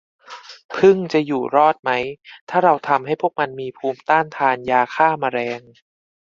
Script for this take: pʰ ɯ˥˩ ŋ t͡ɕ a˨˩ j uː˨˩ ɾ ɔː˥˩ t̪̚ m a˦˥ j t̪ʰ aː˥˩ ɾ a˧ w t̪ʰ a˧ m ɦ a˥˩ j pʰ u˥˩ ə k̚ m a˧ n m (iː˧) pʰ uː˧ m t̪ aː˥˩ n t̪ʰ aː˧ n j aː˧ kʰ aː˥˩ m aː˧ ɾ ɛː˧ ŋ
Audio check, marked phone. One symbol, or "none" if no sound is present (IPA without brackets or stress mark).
iː˧